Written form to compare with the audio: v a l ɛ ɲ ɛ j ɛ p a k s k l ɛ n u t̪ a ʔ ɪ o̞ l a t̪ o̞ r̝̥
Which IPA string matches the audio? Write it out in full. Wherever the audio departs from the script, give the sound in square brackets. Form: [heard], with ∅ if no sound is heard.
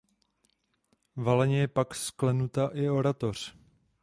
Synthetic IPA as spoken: v a l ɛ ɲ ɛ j ɛ p a k s k l ɛ n u t̪ a ʔ ɪ o̞ [ɾ] a t̪ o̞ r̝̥